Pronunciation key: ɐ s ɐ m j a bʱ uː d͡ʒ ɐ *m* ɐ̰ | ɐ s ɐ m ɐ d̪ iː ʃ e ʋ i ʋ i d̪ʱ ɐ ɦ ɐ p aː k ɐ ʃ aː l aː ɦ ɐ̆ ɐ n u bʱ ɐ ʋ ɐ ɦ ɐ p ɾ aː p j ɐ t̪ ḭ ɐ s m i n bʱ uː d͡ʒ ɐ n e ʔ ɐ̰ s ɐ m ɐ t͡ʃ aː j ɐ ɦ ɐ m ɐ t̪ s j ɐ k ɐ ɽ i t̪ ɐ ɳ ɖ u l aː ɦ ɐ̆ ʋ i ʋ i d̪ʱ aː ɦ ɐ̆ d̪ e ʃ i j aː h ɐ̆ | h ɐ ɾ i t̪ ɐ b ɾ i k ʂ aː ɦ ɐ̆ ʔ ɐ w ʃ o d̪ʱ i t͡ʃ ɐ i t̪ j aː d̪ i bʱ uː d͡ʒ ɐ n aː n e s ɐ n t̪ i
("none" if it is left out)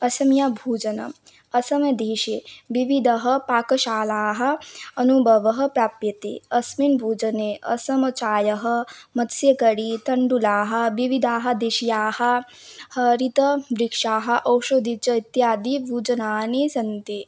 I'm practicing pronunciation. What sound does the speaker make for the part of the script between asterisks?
n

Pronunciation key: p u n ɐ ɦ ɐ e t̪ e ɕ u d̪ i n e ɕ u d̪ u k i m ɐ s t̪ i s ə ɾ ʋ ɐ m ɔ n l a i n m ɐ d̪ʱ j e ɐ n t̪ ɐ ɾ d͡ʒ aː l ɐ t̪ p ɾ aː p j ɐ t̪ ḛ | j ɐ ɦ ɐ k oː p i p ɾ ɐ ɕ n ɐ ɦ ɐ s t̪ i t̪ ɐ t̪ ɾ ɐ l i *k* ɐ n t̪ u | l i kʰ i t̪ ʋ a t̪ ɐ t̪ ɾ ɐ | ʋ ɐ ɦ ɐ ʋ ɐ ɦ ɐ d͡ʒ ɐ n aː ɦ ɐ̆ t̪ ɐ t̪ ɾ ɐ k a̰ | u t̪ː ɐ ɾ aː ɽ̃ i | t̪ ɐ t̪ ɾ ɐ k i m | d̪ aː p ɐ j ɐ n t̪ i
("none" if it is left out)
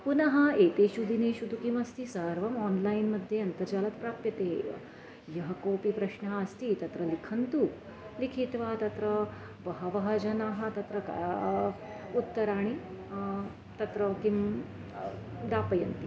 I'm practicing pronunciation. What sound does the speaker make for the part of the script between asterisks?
kʰ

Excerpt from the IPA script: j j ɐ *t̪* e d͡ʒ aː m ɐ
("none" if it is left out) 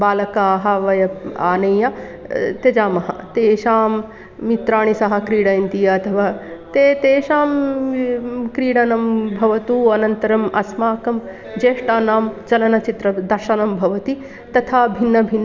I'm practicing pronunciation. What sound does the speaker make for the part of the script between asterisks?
t̪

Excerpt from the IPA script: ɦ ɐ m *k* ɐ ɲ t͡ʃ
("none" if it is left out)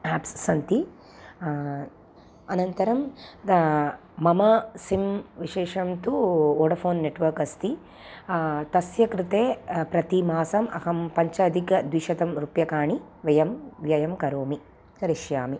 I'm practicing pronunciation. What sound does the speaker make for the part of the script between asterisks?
p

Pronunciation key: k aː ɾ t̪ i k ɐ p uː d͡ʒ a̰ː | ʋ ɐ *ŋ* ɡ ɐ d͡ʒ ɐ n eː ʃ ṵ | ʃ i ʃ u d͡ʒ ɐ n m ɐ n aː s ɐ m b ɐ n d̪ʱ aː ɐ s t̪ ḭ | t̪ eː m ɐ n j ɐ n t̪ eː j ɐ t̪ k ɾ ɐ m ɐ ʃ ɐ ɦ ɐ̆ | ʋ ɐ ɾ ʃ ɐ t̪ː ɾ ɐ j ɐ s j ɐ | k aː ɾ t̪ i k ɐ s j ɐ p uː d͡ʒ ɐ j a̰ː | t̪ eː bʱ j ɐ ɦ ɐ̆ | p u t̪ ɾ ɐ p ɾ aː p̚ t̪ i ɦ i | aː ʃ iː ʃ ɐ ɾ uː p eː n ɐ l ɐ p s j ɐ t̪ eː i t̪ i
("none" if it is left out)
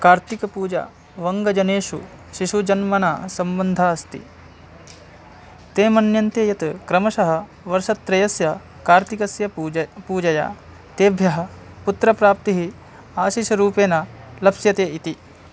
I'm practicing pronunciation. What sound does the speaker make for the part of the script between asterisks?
ŋ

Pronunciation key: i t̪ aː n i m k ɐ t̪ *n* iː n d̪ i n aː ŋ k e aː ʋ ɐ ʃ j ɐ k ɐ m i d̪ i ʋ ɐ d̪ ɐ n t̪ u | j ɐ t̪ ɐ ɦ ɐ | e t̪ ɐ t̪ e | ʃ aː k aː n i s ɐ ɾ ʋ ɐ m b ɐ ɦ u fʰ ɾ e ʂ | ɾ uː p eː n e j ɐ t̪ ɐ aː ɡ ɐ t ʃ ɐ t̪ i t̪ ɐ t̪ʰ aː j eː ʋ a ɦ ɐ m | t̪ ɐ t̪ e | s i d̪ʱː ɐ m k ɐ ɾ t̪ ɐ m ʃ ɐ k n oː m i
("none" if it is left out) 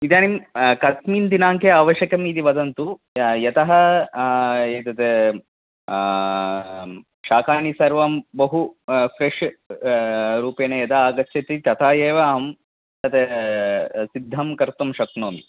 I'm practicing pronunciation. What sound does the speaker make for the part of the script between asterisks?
m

